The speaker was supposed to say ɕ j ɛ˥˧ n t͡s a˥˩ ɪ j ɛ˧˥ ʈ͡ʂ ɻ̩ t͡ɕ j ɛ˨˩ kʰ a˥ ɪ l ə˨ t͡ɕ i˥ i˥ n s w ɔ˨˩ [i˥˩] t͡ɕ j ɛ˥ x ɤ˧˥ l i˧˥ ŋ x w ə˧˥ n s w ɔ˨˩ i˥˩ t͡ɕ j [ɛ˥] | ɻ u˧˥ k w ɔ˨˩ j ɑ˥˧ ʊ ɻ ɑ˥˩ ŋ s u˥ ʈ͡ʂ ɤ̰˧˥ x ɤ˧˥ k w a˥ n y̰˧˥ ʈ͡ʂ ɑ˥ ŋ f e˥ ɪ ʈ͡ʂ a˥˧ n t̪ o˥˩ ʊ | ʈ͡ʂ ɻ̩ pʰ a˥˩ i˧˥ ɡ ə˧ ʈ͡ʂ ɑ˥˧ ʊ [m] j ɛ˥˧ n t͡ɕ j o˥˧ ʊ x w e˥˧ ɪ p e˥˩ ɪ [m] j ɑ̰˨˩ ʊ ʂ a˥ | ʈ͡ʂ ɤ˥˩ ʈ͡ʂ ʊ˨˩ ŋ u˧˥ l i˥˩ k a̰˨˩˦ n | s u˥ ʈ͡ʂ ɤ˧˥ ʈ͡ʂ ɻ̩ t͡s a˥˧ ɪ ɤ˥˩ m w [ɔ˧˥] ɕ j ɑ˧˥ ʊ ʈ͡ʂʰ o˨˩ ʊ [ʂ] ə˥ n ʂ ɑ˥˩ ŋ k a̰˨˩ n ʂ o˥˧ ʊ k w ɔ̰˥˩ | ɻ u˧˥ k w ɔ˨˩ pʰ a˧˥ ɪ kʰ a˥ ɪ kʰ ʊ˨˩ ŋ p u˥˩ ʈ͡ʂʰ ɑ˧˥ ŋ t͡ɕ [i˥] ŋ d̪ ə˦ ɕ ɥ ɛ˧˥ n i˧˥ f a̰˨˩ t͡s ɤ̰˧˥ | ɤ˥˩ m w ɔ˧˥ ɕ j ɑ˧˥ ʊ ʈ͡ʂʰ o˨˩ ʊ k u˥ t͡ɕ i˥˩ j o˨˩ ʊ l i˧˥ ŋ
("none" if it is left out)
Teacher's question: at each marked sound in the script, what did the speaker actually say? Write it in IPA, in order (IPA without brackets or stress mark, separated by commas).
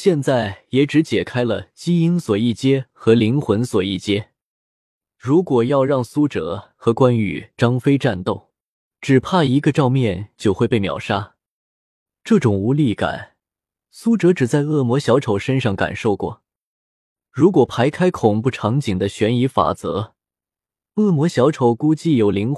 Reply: i˥˩, ɛ˥, m, m, ɔ˧˥, ʂ, i˨˩